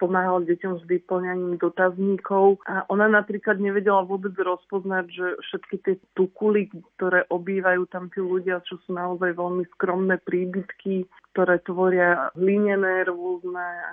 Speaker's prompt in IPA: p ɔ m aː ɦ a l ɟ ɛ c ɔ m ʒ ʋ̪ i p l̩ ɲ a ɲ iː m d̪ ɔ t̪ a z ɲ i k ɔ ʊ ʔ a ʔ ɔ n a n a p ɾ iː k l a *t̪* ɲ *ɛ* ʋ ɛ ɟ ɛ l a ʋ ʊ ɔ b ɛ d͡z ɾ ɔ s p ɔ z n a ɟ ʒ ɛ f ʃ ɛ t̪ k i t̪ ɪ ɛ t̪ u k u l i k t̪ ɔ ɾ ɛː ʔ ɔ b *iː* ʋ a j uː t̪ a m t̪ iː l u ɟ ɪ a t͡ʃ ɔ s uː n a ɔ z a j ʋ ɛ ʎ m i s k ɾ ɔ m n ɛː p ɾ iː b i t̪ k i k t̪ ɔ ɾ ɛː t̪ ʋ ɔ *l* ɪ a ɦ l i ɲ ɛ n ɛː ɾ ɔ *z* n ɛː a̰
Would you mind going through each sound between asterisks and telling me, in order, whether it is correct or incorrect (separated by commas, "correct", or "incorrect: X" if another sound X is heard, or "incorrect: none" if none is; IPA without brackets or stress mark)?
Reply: incorrect: d̪, correct, correct, incorrect: ɾ, correct